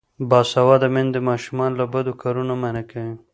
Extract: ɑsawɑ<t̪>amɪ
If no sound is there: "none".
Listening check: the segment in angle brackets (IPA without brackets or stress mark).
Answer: d̪